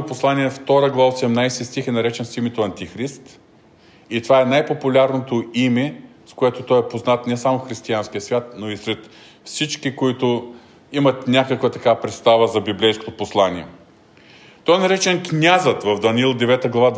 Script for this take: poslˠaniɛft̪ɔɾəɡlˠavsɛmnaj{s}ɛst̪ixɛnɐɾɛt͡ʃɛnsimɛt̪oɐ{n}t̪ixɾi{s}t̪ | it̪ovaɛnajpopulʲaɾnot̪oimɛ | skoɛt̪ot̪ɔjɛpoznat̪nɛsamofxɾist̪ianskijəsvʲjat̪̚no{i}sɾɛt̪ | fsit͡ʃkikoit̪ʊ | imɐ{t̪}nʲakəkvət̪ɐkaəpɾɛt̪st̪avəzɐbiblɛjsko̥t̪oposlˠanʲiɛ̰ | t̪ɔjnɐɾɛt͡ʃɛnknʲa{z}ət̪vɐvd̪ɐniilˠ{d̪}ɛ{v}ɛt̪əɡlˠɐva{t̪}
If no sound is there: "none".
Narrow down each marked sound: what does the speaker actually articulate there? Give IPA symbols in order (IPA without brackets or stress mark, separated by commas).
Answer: s, n, s, i, t̪, z, d̪, v, d̪